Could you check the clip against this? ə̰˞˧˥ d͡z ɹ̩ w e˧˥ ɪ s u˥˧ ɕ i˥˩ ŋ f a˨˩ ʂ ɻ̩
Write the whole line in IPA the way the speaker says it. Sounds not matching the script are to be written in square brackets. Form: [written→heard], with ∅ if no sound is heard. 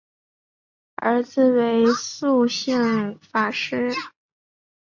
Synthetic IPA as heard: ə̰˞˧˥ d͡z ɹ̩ w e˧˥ ɪ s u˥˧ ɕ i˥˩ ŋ f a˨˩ ʂ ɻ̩